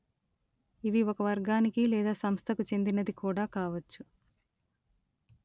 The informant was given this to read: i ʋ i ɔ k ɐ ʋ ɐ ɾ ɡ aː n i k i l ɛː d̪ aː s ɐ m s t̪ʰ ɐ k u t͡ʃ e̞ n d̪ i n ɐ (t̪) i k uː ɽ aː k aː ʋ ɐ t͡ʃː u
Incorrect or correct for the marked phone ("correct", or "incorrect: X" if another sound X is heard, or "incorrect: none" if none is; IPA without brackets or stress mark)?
incorrect: d̪